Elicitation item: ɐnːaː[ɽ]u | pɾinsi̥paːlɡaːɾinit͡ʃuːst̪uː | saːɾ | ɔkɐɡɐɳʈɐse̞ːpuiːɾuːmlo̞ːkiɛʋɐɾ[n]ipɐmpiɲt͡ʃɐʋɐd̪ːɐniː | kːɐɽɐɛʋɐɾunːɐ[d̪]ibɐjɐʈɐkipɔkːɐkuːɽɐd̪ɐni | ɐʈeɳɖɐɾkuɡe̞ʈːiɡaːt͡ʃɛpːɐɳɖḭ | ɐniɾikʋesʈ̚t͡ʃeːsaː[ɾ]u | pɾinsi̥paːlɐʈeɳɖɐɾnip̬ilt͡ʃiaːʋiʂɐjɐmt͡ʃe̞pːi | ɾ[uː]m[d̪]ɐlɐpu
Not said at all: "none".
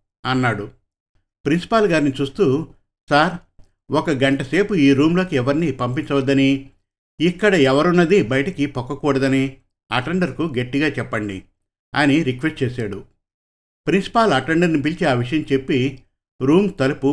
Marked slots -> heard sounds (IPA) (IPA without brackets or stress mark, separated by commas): ɽ, n, d̪, ɽ, uː, t̪